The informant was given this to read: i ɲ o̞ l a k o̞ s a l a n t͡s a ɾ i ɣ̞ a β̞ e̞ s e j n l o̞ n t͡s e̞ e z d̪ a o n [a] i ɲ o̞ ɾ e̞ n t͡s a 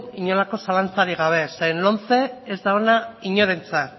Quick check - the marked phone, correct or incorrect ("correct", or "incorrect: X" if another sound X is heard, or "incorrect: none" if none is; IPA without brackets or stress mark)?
correct